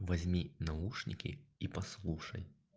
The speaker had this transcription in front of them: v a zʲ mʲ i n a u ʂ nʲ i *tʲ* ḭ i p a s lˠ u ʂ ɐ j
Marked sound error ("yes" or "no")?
yes